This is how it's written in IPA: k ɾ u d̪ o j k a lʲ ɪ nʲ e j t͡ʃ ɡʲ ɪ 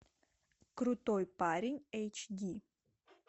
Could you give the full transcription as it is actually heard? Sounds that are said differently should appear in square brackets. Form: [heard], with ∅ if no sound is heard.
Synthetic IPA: k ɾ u [t̪] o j [p] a [ɾʲ] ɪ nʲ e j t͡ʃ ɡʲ [i]